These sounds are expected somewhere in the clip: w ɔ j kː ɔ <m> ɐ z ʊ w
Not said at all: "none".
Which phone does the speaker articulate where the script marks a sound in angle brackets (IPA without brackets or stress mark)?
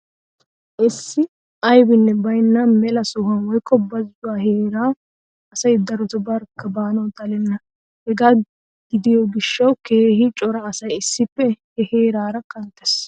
b